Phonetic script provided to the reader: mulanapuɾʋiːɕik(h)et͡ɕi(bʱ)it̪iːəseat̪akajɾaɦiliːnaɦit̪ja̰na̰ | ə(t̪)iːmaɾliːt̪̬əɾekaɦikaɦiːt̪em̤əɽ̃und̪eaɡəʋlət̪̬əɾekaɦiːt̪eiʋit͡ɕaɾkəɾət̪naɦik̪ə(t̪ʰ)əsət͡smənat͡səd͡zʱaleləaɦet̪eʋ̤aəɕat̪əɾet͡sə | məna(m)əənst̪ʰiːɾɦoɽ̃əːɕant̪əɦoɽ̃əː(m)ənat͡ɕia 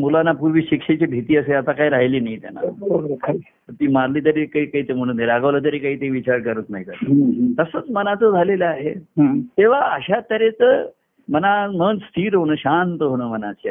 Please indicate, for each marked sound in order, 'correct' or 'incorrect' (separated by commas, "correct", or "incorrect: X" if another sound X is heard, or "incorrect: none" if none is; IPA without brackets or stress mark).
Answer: incorrect: ʂ, correct, correct, incorrect: t̪, correct, correct